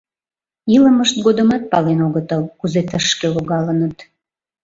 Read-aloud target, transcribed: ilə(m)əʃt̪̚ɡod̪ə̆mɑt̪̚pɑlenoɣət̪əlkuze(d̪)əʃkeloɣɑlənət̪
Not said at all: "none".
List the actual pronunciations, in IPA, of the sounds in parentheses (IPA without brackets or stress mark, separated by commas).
m, t̪